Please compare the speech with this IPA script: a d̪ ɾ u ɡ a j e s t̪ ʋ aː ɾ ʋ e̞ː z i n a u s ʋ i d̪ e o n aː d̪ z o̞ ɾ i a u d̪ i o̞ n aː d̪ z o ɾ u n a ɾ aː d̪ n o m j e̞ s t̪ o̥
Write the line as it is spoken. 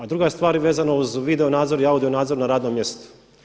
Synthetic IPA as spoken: a d̪ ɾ u ɡ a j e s t̪ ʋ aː ɾ ʋ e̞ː z a n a u z ʋ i d̪ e o n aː d̪ z o̞ ɾ i a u d̪ i o̞ n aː d̪ z o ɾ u n a ɾ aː d̪ n o m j e̞ s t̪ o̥

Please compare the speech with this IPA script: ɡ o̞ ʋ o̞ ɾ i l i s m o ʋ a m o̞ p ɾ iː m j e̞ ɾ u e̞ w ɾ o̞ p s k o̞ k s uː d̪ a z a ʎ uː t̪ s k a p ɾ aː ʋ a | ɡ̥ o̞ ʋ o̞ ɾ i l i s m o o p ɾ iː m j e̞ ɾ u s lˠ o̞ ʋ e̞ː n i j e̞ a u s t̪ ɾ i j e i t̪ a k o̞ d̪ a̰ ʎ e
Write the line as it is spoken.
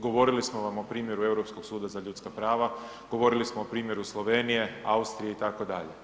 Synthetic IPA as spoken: ɡ o̞ ʋ o̞ ɾ i l i s m o ʋ a m o̞ p ɾ iː m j e̞ ɾ u e̞ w ɾ o̞ p s k o̞ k s uː d̪ a z a ʎ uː t̪ s k a p ɾ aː ʋ a | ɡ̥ o̞ ʋ o̞ ɾ i l i s m o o p ɾ iː m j e̞ ɾ u s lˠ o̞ ʋ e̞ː n i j e̞ a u s t̪ ɾ i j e i t̪ a k o̞ d̪ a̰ ʎ e

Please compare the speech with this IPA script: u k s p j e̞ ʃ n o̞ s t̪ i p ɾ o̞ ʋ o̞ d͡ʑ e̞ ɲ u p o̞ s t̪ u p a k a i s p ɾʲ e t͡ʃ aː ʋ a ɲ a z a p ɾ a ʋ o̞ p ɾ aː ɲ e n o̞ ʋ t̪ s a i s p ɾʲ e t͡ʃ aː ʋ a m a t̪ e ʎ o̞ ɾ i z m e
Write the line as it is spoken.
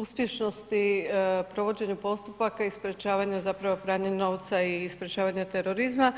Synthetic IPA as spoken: u s p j e̞ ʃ n o̞ s t̪ i p ɾ o̞ ʋ o̞ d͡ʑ e̞ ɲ u p o̞ s t̪ u p a k a i s p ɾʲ e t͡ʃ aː ʋ a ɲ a z a p ɾ a ʋ o̞ p ɾ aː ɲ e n o̞ ʋ t̪ s a i s p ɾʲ e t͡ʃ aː ʋ a ɲ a t̪ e ɾ o̞ ɾ i z m a

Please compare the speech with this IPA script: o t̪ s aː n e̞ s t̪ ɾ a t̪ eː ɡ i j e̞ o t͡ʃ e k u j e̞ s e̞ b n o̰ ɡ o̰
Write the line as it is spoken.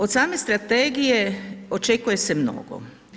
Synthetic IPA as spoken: o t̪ s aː m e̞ s t̪ ɾ a t̪ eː ɡ i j e̞ o t͡ʃ e k u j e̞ s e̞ m n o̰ ɡ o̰

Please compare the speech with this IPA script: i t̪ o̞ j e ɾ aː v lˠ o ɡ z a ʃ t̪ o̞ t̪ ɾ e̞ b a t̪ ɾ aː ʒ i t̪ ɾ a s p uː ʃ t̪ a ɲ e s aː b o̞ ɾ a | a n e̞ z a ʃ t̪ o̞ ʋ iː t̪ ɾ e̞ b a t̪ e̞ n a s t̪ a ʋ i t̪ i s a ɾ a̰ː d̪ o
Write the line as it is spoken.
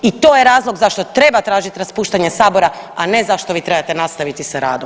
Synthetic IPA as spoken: i t̪ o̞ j e ɾ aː z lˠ o ɡ z a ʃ t̪ o̞ t̪ ɾ e̞ b a t̪ ɾ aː ʒ i t̪ ɾ a s p uː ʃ t̪ a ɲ e s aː b o̞ ɾ a | a n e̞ z a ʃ t̪ o̞ ʋ iː t̪ ɾ e̞ b a t̪ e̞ n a s t̪ a ʋ i t̪ i s a ɾ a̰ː d̪ o

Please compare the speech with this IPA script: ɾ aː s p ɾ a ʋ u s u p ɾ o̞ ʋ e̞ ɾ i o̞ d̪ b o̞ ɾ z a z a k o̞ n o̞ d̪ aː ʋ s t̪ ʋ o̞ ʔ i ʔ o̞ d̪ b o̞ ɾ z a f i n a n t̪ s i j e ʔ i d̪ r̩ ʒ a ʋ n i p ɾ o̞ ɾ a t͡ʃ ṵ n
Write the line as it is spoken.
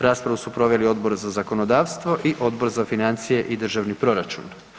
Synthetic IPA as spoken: ɾ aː s p ɾ a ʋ u s u p ɾ o̞ ʋ e̞ l i o̞ d̪ b o̞ ɾ z a z a k o̞ n o̞ d̪ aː ʋ s t̪ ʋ o̞ ʔ i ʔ o̞ d̪ b o̞ ɾ z a f i n a n t̪ s i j e ʔ i d̪ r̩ ʒ a ʋ n i p ɾ o̞ ɾ a t͡ʃ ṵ n

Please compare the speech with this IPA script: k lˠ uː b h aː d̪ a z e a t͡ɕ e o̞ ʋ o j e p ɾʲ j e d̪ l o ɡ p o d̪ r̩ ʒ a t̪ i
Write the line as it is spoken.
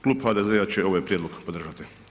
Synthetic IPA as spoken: k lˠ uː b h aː d̪ e z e a t͡ɕ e o̞ ʋ o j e p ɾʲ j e d̪ l o ɡ p o d̪ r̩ ʒ a t̪ i

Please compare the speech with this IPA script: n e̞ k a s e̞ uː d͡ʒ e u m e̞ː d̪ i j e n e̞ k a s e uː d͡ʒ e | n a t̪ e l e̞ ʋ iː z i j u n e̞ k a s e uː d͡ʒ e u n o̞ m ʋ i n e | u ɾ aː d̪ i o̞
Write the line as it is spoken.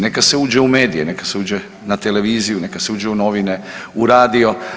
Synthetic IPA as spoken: n e̞ k a s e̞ uː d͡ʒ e u m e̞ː d̪ i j e n e̞ k a s e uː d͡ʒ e | n a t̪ e l e̞ ʋ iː z i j u n e̞ k a s e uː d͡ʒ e u n o̞ ʋ i n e | u ɾ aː d̪ i o̞

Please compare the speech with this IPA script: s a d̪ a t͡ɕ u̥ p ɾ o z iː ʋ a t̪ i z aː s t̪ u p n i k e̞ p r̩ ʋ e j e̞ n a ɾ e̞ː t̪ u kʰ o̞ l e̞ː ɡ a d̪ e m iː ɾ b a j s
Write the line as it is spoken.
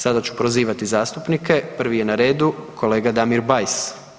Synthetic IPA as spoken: s a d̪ a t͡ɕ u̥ p ɾ o z iː ʋ a t̪ i z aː s t̪ u p n i k e̞ p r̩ ʋ i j e̞ n a ɾ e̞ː d̪ u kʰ o̞ l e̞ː ɡ a d̪ a m i ɾ b a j s

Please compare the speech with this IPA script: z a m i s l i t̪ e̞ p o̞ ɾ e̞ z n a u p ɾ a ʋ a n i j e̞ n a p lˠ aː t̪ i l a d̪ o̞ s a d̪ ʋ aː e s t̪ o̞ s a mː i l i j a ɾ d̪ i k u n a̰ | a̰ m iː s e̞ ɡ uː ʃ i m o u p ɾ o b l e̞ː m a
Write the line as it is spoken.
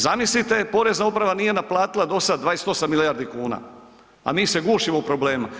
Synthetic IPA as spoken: z a m i s l i t̪ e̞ p o̞ ɾ e̞ z n a u p ɾ a ʋ a n i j e̞ n a p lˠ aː t̪ i l a d̪ o̞ s a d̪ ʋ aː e s t̪ o̞ s a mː i l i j a ɾ d̪ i k uː n a̰ | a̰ m iː s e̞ ɡ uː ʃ i m o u p ɾ o b l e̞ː m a

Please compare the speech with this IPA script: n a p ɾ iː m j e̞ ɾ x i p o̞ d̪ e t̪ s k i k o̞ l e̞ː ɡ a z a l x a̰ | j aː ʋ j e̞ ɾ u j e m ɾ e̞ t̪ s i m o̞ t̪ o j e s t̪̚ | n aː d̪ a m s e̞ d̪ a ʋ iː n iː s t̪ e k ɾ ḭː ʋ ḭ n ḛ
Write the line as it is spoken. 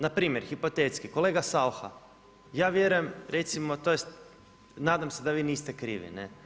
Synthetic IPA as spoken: n a p ɾ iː m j e̞ ɾ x i p o̞ t̪ e t̪ s k i k o̞ l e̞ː ɡ a s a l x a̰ | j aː ʋ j e̞ ɾ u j e m ɾ e̞ t̪ s i m o̞ t̪ o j e s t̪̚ | n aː d̪ a m s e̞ d̪ a ʋ iː n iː s t̪ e k ɾ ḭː ʋ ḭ n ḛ

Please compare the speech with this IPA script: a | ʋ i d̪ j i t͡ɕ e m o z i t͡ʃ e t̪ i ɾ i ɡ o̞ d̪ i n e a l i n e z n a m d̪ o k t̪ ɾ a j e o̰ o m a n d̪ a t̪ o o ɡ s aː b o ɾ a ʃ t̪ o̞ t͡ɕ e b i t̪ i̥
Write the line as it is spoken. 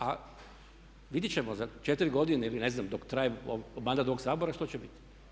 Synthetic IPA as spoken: a | ʋ i d̪ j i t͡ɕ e m o z a t͡ʃ e t̪ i ɾ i ɡ o̞ d̪ i n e i l i n e z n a m d̪ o k t̪ ɾ a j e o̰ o m a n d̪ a t̪ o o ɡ s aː b o ɾ a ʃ t̪ o̞ t͡ɕ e b i t̪ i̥

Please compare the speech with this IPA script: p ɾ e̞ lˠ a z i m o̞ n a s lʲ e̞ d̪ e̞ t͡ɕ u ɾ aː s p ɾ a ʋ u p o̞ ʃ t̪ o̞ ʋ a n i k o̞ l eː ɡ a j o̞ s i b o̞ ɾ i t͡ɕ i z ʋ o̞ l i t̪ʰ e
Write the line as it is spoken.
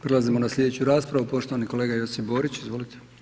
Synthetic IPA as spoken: p ɾ e̞ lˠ a z i m o̞ n a s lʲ e̞ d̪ e̞ t͡ɕ u ɾ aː s p ɾ a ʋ u p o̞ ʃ t̪ o̞ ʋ a n i k o̞ l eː ɡ a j o̞ s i b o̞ ɾ i t͡ɕ i z ʋ o̞ l i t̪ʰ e

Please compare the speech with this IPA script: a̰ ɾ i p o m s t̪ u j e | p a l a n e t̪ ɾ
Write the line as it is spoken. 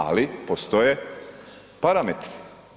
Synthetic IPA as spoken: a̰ l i p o s t̪ o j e | p a ɾ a m e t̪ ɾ

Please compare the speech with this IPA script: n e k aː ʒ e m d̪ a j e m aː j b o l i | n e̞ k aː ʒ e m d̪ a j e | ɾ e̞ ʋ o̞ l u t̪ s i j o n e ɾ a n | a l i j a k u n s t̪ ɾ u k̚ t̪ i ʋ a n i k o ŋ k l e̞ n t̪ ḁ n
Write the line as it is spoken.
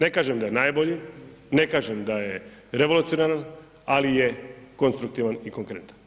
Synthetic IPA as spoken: n e k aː ʒ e m d̪ a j e n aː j b o ʎ i | n e̞ k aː ʒ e m d̪ a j e | ɾ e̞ ʋ o̞ l u t̪ s i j o n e ɾ a n | a l i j e k o n s t̪ ɾ u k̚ t̪ i ʋ a n i k o ŋ k ɾ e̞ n t̪ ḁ n

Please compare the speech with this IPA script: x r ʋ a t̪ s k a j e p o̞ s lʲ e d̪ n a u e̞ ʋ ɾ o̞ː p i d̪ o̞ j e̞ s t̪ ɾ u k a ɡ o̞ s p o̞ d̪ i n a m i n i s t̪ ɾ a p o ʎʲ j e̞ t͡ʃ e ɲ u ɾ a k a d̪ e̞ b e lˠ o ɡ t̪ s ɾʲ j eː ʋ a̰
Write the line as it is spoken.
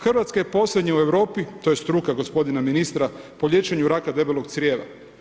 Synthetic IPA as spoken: x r ʋ a t̪ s k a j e p o̞ s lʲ e d̪ ɲ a u e̞ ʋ ɾ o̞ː p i t̪ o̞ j e̞ s t̪ ɾ u k a ɡ o̞ s p o̞ d̪ i n a m i n i s t̪ ɾ a p o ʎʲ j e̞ t͡ʃ e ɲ u ɾ a k a d̪ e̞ b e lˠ o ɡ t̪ s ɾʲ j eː ʋ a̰

